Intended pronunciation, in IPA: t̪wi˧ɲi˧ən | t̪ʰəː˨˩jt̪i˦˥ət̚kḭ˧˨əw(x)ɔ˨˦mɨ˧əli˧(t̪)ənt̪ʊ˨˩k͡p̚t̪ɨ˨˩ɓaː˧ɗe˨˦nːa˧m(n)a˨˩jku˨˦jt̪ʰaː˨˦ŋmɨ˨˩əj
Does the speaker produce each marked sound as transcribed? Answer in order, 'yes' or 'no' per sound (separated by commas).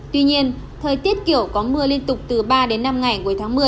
no, no, no